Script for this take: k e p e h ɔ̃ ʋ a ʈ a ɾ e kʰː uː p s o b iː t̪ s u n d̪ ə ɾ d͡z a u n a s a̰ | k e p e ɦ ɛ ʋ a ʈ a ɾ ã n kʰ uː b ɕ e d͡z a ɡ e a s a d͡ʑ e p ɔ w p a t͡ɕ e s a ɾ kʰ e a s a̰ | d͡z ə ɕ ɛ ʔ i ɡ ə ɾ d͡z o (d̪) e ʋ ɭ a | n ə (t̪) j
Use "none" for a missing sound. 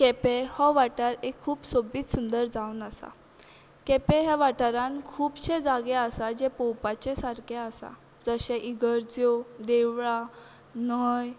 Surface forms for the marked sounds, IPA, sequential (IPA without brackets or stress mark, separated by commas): d̪, none